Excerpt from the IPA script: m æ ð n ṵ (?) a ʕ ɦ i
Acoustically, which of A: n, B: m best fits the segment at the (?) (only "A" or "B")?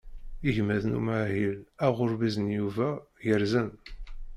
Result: B